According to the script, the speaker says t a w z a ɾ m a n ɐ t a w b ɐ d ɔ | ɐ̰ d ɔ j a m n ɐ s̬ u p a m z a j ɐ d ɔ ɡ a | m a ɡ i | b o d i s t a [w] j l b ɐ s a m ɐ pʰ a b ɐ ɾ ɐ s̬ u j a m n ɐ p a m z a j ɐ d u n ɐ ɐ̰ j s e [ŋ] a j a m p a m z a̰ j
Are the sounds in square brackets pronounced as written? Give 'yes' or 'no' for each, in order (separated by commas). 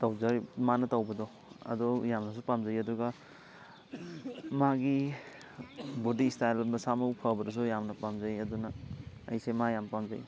no, no